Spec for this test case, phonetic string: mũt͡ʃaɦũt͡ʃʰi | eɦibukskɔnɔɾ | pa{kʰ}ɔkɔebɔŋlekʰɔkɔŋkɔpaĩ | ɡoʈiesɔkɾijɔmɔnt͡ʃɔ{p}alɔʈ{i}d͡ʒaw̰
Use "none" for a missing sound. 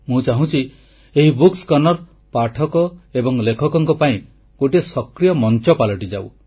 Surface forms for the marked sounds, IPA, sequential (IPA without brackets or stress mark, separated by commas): ʈʰ, p, i